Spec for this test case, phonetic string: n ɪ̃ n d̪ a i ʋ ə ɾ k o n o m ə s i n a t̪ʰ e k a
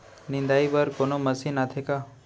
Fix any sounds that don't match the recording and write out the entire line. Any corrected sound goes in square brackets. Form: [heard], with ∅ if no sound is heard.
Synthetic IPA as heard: n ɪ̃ n d̪ a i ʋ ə ɾ k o n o m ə s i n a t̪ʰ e k a